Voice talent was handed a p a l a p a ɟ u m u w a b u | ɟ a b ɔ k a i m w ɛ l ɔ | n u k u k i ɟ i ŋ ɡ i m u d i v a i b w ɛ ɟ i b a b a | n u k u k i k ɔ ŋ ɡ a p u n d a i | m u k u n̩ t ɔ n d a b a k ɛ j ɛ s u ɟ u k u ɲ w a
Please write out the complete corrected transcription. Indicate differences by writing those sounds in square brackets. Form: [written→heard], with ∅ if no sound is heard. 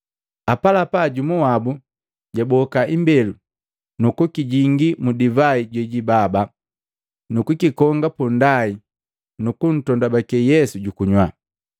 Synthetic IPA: a p a l a p a ɟ u m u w a b u | ɟ a b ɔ k a i m [w→b] ɛ l [ɔ→u] | n u k u k i ɟ i ŋ ɡ i m u d i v a i [b→ɟ] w ɛ ɟ i b a b a | n u k u k i k ɔ ŋ ɡ a p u n d a i | [m→n] u k u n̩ t ɔ n d a b a k ɛ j ɛ s u ɟ u k u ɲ w a